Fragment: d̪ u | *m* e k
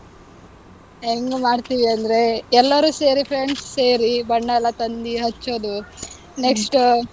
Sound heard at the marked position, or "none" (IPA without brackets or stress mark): n